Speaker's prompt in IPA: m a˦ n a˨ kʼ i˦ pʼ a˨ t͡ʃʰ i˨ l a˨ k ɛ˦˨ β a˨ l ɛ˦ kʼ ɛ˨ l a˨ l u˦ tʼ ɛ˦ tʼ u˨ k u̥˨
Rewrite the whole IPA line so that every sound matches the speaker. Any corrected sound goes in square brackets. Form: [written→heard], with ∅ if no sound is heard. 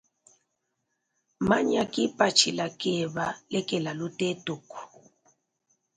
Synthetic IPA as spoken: m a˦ [n→ɲ] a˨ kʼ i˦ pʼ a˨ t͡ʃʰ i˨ l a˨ k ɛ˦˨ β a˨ l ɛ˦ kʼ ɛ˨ l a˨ l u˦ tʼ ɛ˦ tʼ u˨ k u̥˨